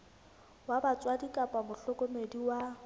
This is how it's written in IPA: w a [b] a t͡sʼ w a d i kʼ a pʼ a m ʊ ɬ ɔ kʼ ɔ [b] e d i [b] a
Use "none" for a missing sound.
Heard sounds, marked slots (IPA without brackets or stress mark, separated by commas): b, m, w